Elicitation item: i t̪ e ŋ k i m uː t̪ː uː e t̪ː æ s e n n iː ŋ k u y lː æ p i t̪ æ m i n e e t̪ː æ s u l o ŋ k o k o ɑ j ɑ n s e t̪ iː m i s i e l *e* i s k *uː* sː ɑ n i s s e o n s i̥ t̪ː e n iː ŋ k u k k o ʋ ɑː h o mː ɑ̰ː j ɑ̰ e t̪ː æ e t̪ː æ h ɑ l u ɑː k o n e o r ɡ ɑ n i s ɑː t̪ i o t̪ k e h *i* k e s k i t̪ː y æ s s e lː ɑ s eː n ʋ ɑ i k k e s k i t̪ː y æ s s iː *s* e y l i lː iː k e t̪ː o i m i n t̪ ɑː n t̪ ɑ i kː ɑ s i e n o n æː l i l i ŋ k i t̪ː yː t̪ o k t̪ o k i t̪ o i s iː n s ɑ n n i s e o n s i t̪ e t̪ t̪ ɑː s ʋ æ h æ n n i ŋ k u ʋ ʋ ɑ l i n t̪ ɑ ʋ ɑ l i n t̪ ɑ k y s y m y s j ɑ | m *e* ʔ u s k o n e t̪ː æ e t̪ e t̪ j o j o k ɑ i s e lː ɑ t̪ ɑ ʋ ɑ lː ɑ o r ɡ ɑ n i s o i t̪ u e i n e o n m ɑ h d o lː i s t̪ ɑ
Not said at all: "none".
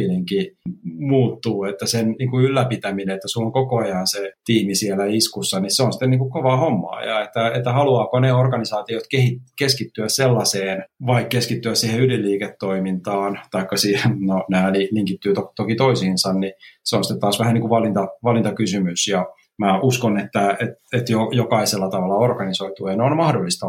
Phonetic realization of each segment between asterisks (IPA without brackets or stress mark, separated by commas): æ, u, i, h, æ